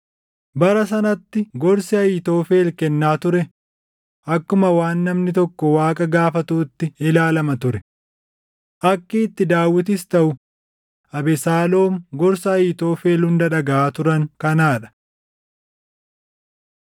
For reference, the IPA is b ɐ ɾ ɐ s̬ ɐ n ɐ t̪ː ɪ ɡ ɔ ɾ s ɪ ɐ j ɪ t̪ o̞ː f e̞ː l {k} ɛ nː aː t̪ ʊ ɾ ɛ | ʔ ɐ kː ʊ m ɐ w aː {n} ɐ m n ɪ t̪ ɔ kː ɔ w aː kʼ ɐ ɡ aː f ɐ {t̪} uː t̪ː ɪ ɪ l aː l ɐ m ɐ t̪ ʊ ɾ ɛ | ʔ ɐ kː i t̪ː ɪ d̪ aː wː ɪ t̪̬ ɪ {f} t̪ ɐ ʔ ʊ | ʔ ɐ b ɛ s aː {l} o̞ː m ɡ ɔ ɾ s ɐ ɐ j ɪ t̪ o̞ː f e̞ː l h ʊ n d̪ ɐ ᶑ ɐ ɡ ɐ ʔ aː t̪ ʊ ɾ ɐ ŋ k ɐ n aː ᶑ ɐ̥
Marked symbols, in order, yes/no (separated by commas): yes, no, yes, no, yes